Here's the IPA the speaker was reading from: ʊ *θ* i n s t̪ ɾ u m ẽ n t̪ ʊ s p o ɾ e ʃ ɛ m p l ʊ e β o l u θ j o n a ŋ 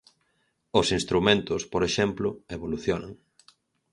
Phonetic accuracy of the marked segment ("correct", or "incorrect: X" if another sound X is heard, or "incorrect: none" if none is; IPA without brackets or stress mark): incorrect: s